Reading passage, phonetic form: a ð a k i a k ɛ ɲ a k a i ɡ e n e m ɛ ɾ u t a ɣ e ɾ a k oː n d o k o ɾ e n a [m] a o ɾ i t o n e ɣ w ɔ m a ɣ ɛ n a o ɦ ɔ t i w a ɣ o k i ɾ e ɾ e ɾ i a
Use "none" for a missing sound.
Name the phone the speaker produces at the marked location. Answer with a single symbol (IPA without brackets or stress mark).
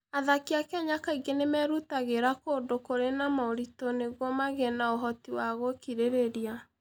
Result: m